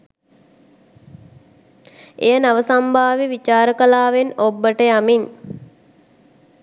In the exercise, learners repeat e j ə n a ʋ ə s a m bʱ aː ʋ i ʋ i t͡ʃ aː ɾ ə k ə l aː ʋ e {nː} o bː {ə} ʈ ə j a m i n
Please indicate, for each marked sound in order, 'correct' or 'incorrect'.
incorrect: n, correct

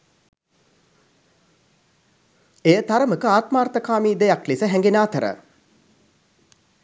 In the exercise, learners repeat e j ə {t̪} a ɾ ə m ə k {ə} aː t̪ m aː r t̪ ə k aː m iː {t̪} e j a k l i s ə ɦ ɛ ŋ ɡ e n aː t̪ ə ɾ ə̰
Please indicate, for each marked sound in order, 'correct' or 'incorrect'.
correct, correct, incorrect: d̪

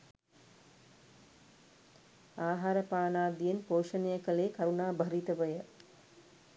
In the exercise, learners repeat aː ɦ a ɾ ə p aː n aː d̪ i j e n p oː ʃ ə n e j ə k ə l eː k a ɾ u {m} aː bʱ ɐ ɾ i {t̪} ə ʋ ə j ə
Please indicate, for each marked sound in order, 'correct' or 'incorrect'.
incorrect: n, correct

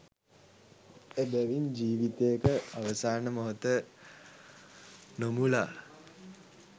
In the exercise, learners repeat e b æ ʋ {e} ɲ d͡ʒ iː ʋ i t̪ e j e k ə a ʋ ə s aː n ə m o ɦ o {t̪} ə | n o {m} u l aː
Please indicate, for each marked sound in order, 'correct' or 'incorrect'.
incorrect: i, correct, correct

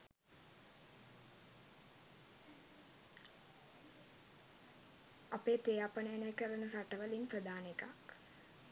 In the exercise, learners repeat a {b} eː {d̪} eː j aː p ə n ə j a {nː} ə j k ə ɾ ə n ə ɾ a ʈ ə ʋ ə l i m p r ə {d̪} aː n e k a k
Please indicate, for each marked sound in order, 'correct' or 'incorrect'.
incorrect: p, incorrect: t̪, incorrect: n, correct

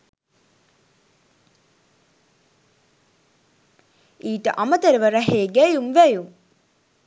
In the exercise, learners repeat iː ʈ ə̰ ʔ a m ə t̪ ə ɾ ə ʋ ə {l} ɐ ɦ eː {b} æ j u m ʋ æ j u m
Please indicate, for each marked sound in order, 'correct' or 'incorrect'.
incorrect: ɾ, incorrect: ɡ

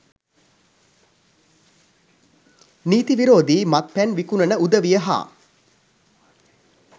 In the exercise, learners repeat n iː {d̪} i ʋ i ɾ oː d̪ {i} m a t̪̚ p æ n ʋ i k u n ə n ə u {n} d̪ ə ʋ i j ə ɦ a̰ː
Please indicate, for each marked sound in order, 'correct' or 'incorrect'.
incorrect: t̪, incorrect: iː, incorrect: none

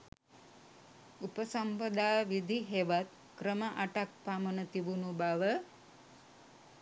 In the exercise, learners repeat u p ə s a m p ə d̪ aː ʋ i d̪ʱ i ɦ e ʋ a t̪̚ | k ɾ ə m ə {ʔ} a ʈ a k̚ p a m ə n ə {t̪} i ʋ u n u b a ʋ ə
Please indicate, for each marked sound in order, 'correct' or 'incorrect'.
correct, correct

